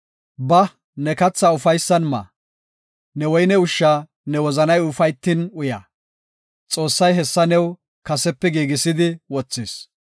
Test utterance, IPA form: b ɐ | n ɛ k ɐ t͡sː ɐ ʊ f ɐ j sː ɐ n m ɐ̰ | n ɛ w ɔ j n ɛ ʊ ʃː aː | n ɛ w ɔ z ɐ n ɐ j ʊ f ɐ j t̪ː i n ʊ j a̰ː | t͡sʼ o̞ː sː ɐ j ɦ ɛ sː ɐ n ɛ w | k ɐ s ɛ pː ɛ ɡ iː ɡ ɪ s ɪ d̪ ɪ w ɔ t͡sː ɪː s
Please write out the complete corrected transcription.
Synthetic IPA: b ɐ | n ɛ k ɐ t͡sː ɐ ʊ f ɐ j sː ɐ n m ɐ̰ | n ɛ w ɔ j n ɛ ʊ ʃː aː | n ɛ w ɔ z ɐ n ɐ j ʊ f ɐ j t̪ː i n ʊ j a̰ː | t͡sʼ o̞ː sː ɐ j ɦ ɛ sː ɐ n ɛ w | k ɐ s ɛ pː ɛ ɡ iː ɡ ɪ s ɪ d̪ ɪ w ɔ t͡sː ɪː s